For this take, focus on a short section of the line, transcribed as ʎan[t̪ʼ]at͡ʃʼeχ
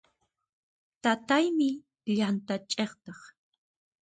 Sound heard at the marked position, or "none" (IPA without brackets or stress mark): t̪